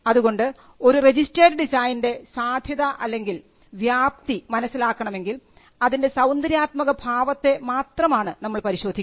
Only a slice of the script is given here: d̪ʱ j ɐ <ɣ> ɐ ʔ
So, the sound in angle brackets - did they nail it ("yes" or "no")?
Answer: no